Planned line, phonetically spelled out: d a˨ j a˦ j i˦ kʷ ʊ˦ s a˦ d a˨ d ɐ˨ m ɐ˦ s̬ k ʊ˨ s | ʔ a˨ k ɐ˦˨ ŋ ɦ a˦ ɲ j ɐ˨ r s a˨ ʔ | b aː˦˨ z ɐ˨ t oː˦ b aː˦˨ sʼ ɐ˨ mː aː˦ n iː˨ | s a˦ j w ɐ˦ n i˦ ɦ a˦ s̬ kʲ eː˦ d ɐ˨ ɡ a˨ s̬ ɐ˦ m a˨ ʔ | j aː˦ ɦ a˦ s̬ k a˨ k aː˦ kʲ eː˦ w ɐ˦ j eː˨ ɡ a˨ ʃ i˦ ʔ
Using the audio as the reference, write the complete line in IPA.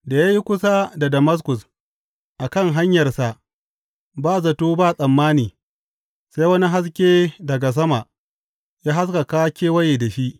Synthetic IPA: d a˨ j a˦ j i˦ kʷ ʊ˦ s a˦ d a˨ d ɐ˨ m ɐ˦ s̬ k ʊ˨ s | ʔ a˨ k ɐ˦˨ ŋ ɦ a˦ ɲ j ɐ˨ r s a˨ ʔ | b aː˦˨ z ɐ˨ t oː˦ b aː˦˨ sʼ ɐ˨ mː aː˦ n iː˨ | s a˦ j w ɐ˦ n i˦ ɦ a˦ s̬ kʲ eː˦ d ɐ˨ ɡ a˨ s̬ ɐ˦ m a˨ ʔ | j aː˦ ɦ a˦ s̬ k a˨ k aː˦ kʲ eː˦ w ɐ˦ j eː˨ d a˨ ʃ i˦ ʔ